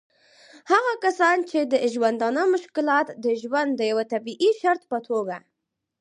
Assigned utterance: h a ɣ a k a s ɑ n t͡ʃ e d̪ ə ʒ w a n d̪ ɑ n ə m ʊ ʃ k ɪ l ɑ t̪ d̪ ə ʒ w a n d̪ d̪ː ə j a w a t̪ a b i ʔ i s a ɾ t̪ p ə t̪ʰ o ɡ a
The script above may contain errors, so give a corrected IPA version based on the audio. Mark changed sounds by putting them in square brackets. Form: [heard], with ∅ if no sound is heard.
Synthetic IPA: h a ɣ a k a s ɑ n t͡ʃ e d̪ ə ʒ w a n d̪ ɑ n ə m ʊ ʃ k ɪ l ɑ t̪ d̪ ə ʒ w a n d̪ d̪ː ə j a w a t̪ a b i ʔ i [ʃ] a ɾ t̪ p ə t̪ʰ o ɡ a